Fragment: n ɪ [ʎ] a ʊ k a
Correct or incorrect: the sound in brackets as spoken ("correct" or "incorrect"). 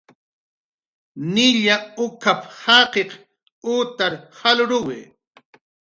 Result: correct